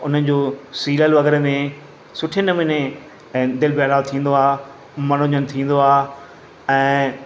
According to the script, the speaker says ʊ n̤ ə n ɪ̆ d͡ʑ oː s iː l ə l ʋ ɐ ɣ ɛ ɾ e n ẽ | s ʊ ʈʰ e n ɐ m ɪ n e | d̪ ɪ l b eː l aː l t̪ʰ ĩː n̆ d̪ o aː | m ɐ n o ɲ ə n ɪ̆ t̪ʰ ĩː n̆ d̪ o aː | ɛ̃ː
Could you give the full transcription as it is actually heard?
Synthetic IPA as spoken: ʊ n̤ ə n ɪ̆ d͡ʑ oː s iː l ə l ʋ ɐ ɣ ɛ ɾ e m ẽ | s ʊ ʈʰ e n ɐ m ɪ n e | d̪ ɪ l b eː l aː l t̪ʰ ĩː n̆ d̪ o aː | m ɐ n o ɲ ə n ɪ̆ t̪ʰ ĩː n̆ d̪ o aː | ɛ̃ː